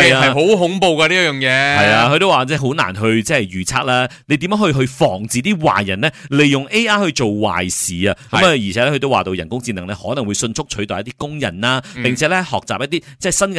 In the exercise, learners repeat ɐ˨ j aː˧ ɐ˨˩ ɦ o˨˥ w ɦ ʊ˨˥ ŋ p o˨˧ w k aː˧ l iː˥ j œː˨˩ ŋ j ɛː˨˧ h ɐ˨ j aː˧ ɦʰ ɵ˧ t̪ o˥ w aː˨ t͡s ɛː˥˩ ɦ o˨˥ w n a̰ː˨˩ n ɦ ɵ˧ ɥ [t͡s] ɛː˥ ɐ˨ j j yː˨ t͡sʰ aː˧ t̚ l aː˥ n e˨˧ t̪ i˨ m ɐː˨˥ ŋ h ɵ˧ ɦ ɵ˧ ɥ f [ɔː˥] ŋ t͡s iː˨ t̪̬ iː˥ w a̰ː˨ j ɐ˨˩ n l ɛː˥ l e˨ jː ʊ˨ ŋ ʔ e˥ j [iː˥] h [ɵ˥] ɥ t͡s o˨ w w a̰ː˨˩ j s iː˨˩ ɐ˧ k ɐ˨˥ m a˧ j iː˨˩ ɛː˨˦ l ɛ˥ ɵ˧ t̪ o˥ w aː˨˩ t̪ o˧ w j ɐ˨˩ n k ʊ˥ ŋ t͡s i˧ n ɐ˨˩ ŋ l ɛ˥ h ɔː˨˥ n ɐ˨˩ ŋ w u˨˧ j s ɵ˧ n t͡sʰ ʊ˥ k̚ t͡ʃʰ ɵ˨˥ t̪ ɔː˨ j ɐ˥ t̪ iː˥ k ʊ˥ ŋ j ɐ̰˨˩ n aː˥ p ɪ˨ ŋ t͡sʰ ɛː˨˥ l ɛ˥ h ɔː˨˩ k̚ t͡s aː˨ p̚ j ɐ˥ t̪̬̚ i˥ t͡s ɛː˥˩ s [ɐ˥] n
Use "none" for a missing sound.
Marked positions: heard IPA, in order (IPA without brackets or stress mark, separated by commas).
t͡s, ɔː˨˩, aː˥, ɵ˧, ɐ˥